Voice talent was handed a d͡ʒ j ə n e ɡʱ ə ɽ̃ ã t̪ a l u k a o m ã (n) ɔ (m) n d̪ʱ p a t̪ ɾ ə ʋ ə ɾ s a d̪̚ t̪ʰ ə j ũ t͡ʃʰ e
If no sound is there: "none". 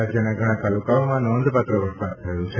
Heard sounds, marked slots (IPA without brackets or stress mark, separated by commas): n, none